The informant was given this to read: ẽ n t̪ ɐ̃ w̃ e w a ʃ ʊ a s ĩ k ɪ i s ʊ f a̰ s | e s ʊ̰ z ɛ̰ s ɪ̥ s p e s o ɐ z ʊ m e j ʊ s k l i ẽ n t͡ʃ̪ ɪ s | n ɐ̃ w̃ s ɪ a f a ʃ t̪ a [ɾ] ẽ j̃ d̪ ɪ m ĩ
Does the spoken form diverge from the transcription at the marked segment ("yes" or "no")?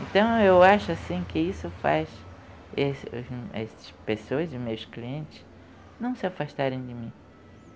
no